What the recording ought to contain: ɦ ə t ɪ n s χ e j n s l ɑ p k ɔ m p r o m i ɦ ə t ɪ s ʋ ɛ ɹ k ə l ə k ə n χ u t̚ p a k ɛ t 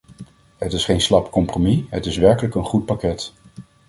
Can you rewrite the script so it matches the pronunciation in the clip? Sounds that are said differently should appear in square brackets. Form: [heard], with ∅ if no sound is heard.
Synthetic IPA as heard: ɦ ə t ɪ [∅] s χ e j n s l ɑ p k ɔ m p r o m i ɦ ə t ɪ s ʋ ɛ ɹ k ə l ə k ə n χ u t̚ p a k ɛ t